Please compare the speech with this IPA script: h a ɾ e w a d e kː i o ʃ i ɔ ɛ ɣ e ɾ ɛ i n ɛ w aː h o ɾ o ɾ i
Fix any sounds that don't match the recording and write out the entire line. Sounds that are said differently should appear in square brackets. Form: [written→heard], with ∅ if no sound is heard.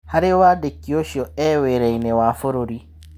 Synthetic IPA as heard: h a ɾ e w a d e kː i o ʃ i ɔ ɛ [ɣ→w] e ɾ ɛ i n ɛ w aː [h→f] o ɾ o ɾ i